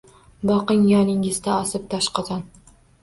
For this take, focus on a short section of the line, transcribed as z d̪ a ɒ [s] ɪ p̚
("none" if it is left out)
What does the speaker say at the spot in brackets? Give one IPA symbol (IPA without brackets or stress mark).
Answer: s